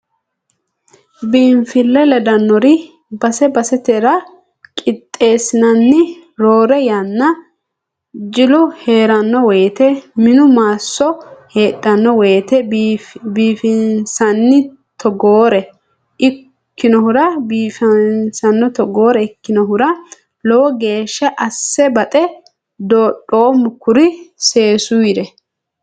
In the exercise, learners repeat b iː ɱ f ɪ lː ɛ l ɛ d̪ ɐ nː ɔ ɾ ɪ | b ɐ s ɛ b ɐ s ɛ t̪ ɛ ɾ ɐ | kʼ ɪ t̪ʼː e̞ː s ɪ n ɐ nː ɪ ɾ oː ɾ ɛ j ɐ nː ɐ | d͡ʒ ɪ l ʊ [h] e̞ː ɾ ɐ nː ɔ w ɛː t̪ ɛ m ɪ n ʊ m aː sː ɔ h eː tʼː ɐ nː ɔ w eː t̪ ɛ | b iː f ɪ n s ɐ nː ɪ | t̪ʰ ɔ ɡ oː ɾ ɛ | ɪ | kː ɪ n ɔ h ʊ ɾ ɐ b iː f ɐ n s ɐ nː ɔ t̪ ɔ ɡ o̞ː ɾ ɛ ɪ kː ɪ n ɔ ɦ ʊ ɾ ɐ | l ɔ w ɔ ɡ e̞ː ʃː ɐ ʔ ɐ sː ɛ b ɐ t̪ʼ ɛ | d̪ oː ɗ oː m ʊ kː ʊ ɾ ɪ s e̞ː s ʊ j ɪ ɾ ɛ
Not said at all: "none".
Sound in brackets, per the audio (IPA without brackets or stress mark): h